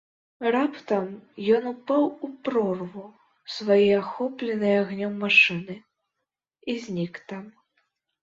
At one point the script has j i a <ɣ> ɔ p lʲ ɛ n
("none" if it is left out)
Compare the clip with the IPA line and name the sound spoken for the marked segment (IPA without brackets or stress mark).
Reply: x